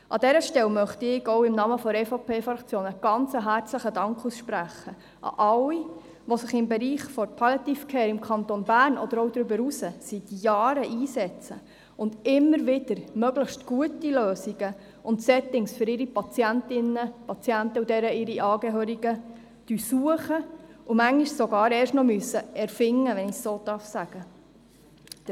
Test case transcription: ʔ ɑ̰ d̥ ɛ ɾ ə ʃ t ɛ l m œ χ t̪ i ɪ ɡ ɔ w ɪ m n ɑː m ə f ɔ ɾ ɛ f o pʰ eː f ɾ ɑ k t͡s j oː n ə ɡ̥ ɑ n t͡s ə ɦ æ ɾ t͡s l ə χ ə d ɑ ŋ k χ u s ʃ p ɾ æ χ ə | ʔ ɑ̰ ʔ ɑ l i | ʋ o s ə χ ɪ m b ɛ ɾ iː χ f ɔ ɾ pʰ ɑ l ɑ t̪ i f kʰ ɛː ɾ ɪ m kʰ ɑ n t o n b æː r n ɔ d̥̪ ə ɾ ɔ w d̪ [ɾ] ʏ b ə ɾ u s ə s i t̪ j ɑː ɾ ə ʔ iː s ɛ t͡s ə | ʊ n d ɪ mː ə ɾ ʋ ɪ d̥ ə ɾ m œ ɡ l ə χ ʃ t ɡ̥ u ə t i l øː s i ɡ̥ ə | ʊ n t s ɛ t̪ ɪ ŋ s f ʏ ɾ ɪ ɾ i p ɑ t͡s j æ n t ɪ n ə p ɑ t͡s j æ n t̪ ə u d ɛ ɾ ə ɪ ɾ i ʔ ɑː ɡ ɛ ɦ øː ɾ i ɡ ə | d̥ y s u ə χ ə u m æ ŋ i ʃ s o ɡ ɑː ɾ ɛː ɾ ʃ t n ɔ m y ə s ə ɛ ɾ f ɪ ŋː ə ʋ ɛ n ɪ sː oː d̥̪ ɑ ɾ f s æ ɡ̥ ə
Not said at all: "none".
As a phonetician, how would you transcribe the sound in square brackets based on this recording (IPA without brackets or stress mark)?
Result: ɾ